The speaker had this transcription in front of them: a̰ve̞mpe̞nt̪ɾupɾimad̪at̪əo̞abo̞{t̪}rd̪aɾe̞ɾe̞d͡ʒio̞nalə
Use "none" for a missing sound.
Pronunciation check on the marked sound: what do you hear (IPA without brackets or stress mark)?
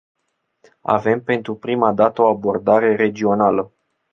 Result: none